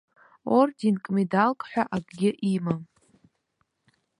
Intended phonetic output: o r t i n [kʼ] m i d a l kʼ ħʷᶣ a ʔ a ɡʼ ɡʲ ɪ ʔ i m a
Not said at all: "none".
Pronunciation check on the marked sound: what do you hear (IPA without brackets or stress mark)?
kʼ